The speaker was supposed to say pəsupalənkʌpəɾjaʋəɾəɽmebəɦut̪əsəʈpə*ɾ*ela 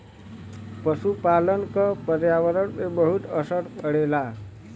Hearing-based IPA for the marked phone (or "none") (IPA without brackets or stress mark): ɽ